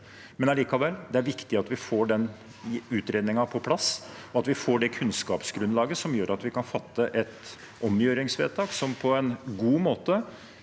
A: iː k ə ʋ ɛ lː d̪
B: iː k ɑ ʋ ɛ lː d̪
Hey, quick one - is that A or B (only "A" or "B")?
B